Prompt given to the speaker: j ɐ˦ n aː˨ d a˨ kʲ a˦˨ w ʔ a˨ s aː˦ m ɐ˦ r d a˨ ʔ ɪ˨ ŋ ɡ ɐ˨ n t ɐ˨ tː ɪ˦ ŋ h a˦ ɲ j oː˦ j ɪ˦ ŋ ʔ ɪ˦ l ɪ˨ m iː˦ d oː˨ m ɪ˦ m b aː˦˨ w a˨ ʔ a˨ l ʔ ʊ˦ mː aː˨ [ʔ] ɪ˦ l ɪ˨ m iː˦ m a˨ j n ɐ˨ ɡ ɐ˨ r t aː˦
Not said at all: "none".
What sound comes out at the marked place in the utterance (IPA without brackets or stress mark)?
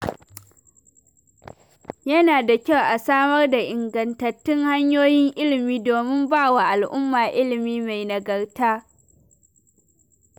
ʔ